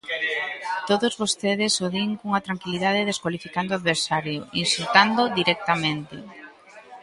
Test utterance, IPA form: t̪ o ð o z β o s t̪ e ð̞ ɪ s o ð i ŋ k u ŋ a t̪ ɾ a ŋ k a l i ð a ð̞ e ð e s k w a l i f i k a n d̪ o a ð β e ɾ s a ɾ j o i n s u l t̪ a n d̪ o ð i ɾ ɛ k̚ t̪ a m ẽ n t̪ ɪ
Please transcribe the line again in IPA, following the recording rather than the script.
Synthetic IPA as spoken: t̪ o ð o z β o s t̪ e ð̞ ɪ s o ð i ŋ k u ŋ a t̪ ɾ a ŋ k i l i ð a ð̞ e ð e s k w a l i f i k a n d̪ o a ð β e ɾ s a ɾ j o i n s u l t̪ a n d̪ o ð i ɾ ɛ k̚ t̪ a m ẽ n t̪ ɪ